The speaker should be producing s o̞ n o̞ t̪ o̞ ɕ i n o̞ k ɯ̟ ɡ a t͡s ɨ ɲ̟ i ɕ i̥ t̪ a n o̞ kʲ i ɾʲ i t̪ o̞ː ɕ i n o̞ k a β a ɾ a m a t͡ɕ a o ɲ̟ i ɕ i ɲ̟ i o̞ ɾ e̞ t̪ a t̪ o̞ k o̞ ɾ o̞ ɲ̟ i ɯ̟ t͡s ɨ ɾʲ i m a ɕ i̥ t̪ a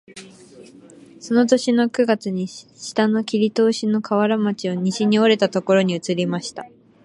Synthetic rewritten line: s o̞ n o̞ t̪ o̞ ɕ i n o̞ k ɯ̟ ɡ a t͡s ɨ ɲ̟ i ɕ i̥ t̪ a n o̞ kʲ i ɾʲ i t̪ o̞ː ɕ i n o̞ k a β a ɾ a m a t͡ɕ i o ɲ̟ i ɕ i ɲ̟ i o̞ ɾ e̞ t̪ a t̪ o̞ k o̞ ɾ o̞ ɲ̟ i ɯ̟ t͡s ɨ ɾʲ i m a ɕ i̥ t̪ a